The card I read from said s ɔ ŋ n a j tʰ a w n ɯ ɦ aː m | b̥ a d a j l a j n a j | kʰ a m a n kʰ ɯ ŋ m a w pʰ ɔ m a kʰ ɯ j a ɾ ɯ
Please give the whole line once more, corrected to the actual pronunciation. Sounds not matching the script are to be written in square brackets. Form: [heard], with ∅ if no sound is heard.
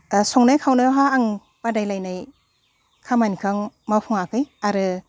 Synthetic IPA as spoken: s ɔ ŋ n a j [kʰ] a w n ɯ ɦ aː [ŋ] | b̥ a d a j l a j n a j | kʰ a m a n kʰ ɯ ŋ m a w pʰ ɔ [ŋ] a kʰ ɯ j a ɾ ɯ